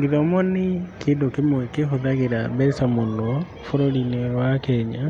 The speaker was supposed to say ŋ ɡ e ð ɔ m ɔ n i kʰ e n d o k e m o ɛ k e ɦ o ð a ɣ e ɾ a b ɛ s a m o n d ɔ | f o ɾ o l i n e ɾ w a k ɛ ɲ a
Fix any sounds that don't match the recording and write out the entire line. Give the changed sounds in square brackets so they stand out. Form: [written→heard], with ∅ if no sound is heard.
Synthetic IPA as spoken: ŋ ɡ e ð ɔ m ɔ n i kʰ e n d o k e m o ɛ k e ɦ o ð a ɣ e ɾ a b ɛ s a m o n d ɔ | f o ɾ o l i n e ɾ w a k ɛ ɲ a